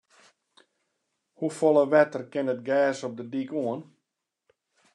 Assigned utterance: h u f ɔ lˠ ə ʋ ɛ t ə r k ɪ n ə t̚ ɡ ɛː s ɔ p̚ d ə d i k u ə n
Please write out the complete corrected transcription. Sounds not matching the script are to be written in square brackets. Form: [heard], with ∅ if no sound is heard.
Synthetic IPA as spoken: h u f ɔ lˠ ə ʋ ɛ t ə r k ɪ n ə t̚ ɡ ɛː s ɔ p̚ d ə d i k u ə n

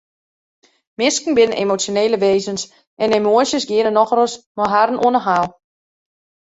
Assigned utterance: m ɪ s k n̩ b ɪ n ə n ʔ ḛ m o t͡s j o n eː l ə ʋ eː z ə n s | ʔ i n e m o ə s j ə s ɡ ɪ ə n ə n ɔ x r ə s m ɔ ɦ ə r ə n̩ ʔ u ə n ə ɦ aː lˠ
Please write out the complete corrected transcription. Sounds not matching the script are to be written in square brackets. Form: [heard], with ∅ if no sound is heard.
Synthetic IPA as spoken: m ɪ s k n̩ b ɪ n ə n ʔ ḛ m o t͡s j o n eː l ə ʋ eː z ə n s | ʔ [ɛ] n e m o ə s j ə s ɡ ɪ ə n ə n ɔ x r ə s m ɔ ɦ [a] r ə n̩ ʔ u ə n ə ɦ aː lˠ

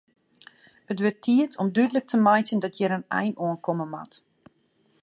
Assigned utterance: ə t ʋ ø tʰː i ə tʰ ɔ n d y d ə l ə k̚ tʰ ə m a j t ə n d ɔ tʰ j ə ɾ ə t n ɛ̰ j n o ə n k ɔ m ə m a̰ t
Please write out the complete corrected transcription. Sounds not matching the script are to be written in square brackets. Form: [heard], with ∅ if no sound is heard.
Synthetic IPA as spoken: ə t ʋ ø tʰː i ə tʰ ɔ [m] d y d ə l ə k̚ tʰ ə m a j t ə n d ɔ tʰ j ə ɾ ə [∅] n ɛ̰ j n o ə n k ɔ m ə m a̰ t

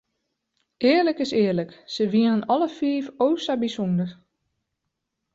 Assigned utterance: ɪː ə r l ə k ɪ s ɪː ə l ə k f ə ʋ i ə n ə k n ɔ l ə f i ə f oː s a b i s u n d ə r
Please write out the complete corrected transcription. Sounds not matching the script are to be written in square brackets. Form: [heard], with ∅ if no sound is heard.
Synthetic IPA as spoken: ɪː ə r l ə k ɪ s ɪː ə l ə k [s] ə ʋ i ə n ə [∅] n ɔ l ə f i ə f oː s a b i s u n d ə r

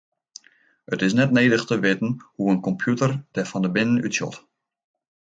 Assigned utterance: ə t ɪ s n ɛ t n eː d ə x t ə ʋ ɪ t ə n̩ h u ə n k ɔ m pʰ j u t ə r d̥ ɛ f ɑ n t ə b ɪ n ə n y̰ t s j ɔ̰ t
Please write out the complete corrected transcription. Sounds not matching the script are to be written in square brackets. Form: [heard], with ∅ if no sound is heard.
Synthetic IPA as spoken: ə t ɪ s n ɛ t n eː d ə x t ə ʋ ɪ t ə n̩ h u ə n k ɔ m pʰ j u t ə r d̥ ɛ f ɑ n [d] ə b ɪ n ə n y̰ t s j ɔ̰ t

